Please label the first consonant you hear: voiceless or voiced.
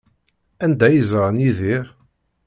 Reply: voiced